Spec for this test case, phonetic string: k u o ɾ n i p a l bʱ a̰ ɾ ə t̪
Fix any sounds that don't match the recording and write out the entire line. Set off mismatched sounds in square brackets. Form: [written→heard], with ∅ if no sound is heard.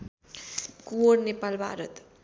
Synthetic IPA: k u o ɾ n [i→e] p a l bʱ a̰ ɾ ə t̪